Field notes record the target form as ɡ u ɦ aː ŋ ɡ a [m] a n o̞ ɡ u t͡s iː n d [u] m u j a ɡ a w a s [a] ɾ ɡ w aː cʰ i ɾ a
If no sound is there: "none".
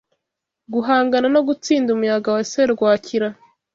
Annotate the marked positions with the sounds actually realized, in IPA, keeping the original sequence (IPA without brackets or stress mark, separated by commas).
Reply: n, u, e